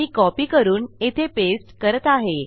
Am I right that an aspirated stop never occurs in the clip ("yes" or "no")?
no